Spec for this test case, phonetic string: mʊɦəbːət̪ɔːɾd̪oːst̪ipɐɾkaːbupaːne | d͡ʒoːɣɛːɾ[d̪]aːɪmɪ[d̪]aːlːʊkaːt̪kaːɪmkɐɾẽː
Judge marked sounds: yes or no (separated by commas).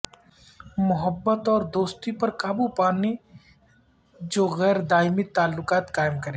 yes, no